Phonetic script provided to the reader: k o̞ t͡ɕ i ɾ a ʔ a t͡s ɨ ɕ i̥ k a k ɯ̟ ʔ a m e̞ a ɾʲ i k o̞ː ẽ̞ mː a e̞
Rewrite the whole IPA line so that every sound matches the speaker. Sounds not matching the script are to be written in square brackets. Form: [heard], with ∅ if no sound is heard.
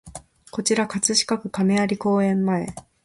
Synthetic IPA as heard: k o̞ t͡ɕ i ɾ a [k] a t͡s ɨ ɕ i̥ k a k ɯ̟ [k] a m e̞ a ɾʲ i k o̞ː ẽ̞ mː a e̞